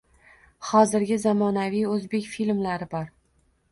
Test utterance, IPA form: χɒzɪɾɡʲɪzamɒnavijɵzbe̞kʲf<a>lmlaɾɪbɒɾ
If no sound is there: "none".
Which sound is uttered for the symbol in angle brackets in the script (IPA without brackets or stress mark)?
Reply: i